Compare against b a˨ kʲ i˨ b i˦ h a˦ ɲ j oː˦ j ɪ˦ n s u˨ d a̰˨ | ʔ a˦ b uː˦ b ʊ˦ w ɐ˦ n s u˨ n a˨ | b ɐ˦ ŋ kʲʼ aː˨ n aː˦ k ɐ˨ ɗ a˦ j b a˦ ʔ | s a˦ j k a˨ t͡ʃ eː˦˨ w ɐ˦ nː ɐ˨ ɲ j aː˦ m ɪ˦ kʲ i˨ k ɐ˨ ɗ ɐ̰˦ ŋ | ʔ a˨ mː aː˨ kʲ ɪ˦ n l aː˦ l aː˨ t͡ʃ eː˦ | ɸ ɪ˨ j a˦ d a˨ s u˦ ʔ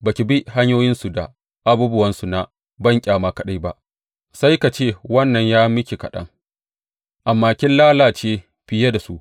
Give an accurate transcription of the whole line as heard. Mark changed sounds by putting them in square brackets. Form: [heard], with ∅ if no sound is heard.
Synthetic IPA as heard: b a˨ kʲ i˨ b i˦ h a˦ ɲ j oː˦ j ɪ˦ n s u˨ d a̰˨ | ʔ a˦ b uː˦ b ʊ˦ w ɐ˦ n s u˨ n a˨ | b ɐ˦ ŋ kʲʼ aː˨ [m] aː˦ k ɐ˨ ɗ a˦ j b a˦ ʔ | s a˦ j k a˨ t͡ʃ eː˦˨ w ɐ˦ nː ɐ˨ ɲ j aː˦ m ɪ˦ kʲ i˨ k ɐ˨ ɗ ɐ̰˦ ŋ | ʔ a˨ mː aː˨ kʲ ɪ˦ n l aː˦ l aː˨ t͡ʃ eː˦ | ɸ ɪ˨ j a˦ d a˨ s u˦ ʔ